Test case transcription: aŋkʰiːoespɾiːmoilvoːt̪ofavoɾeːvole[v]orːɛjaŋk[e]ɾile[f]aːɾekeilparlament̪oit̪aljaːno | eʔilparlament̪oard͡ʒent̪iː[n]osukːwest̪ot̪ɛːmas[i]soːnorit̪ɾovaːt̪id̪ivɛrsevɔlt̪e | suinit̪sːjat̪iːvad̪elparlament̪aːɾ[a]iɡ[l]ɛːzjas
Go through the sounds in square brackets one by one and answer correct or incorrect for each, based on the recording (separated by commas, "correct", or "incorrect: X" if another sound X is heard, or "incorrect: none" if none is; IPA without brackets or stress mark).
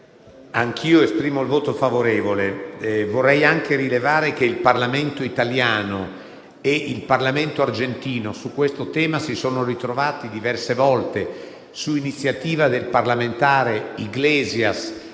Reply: correct, correct, incorrect: v, correct, correct, incorrect: e, correct